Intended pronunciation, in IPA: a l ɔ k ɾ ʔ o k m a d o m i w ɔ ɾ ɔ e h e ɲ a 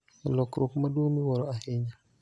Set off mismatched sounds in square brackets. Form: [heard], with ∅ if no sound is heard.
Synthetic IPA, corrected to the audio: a l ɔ k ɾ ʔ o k m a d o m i w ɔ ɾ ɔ [a] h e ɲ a